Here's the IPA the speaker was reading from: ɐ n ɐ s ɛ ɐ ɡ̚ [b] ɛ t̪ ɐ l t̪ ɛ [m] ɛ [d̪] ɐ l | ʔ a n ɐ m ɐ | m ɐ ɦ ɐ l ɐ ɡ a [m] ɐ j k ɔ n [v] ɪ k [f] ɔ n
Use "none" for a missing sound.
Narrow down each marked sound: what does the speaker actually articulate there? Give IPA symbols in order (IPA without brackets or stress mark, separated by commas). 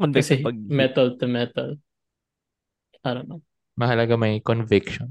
m, m, t̪, m, v, ʃ